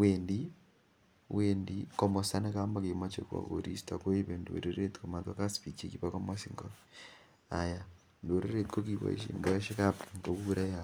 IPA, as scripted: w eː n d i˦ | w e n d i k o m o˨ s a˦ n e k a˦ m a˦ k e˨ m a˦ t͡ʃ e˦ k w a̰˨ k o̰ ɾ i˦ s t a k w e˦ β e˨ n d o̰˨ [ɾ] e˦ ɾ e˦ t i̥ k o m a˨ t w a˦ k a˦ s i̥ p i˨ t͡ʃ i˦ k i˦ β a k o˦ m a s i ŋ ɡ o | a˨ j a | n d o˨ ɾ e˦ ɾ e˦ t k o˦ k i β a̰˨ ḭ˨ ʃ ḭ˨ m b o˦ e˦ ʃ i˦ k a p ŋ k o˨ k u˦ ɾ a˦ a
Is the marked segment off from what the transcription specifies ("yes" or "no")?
no